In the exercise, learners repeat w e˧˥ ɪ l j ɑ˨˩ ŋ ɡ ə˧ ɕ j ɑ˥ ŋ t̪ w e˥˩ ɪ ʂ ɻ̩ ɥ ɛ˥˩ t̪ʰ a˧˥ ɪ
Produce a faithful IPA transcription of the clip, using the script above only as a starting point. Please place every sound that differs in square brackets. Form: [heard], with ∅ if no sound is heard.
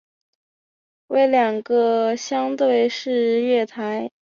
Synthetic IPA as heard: w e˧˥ ɪ l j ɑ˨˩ ŋ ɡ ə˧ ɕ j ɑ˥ ŋ t̪ w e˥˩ ɪ ʂ ɻ̩ ɥ ɛ˥˩ t̪ʰ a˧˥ ɪ